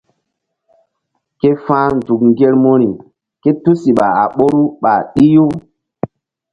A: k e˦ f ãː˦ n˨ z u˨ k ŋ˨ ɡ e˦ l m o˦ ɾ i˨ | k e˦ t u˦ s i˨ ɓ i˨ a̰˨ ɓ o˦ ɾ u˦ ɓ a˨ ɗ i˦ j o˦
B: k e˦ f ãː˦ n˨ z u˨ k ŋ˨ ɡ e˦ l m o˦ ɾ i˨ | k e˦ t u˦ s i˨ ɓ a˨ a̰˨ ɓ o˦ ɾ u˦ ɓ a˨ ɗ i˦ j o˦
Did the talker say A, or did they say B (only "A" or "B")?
B